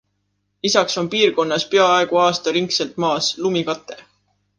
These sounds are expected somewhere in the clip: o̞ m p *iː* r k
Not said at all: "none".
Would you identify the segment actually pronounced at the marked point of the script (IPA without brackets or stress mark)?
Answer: iː